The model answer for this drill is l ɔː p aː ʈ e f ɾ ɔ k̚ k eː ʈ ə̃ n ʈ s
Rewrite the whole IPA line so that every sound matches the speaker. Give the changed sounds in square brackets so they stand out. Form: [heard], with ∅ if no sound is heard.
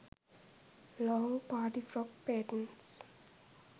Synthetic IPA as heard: l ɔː p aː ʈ [i] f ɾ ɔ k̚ [p] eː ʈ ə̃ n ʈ s